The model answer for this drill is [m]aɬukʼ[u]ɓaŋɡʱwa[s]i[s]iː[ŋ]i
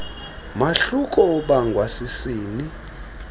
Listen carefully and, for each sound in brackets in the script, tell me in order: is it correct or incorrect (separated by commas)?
correct, incorrect, correct, correct, incorrect